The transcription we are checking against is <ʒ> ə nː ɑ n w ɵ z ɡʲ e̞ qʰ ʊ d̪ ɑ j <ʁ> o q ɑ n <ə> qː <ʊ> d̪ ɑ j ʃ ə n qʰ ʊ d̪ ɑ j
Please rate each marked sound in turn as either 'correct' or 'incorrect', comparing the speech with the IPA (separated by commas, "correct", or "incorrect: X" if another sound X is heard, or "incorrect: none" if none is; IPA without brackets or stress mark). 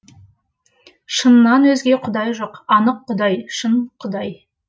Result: incorrect: ʃ, incorrect: ʒ, correct, correct